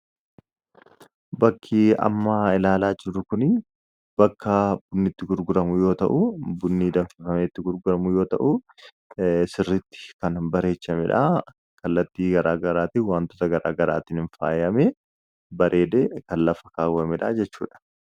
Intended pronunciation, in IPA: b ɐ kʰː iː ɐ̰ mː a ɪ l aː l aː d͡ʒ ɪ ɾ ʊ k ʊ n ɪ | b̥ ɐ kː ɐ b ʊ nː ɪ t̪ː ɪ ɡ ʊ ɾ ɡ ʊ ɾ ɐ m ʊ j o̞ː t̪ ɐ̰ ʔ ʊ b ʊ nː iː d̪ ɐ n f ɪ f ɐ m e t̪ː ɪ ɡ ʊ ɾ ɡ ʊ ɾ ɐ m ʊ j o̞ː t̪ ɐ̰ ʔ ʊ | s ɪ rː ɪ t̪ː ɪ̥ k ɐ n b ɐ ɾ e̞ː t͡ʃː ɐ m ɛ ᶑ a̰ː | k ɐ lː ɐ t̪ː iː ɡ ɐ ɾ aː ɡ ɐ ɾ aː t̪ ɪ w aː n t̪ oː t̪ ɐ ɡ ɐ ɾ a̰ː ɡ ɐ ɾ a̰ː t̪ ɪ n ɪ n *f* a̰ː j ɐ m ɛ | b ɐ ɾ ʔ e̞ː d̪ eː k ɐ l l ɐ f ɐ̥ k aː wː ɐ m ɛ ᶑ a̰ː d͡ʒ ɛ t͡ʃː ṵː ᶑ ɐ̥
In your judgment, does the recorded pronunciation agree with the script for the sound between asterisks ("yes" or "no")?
yes